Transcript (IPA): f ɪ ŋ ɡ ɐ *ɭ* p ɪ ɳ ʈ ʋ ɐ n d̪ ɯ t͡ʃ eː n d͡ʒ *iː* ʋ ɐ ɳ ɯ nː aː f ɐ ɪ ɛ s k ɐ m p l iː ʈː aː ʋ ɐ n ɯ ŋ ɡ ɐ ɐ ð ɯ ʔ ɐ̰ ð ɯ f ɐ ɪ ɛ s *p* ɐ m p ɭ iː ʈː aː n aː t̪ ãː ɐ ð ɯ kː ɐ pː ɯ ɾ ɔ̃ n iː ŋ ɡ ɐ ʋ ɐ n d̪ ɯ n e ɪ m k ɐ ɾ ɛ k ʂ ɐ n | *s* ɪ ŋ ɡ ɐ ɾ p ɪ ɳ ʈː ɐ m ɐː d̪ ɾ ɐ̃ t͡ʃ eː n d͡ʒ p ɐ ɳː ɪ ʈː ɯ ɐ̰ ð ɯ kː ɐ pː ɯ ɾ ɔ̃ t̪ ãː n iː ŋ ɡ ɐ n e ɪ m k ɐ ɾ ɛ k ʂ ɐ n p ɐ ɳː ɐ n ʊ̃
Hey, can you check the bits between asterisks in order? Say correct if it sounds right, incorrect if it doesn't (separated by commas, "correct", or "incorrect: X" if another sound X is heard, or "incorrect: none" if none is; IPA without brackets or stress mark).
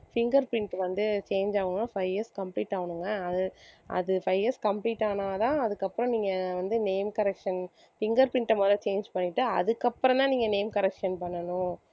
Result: incorrect: ɾ, incorrect: aː, incorrect: k, incorrect: f